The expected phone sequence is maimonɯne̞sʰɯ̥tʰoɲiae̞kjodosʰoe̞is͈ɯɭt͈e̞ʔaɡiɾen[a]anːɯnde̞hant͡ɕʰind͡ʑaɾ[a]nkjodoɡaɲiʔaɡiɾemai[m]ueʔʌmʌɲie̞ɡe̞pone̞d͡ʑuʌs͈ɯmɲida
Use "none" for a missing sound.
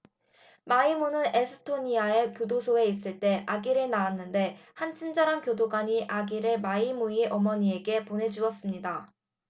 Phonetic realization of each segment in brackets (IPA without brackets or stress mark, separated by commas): a, a, m